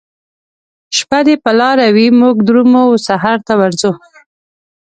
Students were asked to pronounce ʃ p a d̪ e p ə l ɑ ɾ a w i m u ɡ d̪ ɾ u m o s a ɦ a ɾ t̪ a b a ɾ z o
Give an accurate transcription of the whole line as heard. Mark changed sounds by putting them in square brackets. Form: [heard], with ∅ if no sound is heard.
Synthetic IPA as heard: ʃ p a d̪ e p ə l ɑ ɾ a w i m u ɡ d̪ ɾ u m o s a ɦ a ɾ t̪ a [w] a ɾ z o